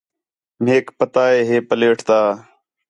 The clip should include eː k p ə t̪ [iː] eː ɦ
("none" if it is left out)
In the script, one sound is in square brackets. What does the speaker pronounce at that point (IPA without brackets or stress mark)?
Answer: aː